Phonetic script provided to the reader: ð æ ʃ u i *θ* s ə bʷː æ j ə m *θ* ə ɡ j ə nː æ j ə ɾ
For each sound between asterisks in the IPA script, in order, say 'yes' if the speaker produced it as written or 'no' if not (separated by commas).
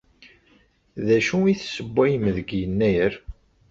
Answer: yes, no